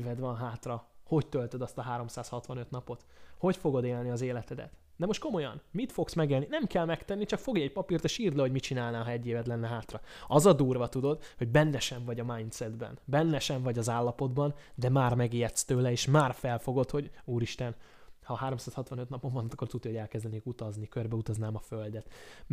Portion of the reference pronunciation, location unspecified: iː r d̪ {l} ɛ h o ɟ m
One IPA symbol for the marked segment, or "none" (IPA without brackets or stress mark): l